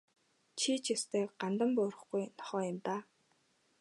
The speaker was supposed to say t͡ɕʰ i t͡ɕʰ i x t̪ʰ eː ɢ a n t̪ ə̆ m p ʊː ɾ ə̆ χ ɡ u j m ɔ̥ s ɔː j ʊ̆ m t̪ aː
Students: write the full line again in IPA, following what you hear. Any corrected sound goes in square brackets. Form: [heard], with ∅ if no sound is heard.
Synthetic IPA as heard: t͡ɕʰ i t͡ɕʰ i [s] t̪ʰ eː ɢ a n t̪ ə̆ m p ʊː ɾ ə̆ χ ɡ u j [n] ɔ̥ [χ] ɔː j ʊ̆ m t̪ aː